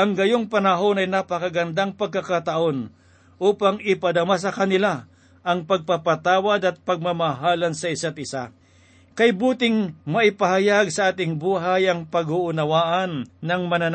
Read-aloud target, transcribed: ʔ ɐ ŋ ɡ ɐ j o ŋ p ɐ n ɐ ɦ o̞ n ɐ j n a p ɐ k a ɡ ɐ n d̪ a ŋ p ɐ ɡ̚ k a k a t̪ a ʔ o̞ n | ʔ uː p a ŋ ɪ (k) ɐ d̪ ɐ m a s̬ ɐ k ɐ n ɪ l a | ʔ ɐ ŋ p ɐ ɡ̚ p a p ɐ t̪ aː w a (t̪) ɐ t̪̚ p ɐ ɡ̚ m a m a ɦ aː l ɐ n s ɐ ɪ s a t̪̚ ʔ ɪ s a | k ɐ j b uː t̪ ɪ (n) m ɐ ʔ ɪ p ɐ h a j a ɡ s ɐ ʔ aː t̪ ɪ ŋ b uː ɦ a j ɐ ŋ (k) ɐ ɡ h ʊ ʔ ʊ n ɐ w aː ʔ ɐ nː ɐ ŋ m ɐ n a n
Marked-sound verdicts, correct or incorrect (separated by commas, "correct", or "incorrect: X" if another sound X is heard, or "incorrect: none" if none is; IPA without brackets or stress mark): incorrect: p, incorrect: d̪, incorrect: ŋ, incorrect: p